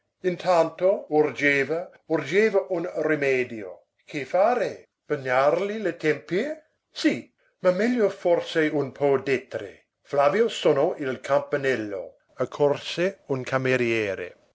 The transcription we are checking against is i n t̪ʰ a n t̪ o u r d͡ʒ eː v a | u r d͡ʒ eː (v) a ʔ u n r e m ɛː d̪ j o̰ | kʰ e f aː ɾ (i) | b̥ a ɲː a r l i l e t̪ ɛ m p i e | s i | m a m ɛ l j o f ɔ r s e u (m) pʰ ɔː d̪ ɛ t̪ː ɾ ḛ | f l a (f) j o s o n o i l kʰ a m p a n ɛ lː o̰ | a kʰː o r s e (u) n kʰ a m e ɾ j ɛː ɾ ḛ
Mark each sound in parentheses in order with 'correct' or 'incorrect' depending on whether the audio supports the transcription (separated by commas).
correct, incorrect, incorrect, incorrect, correct